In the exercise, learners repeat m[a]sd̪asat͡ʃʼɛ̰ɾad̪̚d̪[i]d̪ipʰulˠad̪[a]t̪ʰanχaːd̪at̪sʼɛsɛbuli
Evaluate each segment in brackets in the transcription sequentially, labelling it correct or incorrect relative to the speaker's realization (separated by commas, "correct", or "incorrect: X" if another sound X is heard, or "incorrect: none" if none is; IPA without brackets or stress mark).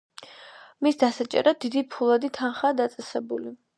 incorrect: i, correct, incorrect: i